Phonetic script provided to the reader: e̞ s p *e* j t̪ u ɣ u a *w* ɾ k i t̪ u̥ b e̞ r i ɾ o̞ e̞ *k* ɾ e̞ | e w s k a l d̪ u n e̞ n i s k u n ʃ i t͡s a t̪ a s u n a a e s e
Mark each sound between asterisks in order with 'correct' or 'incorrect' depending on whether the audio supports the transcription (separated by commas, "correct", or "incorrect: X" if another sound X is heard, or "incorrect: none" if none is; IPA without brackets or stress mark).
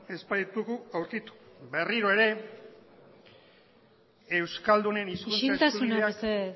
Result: incorrect: a, correct, incorrect: none